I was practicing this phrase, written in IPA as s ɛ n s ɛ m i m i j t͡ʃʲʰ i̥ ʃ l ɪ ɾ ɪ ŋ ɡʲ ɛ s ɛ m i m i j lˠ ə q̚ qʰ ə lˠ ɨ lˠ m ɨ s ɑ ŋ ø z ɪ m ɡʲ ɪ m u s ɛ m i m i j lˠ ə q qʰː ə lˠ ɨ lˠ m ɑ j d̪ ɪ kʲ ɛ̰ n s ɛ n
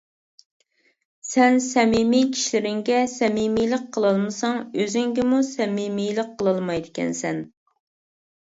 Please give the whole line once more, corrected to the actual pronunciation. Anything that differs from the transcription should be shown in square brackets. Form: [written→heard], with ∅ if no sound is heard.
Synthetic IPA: s ɛ n s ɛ m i m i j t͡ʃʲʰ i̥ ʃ l ɪ ɾ ɪ ŋ ɡʲ ɛ s ɛ m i m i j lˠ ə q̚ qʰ ə lˠ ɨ lˠ m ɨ s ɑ ŋ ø z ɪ [m→ŋ] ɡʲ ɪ m u s ɛ m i m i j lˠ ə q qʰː ə lˠ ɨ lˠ m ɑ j d̪ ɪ kʲ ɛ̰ n s ɛ n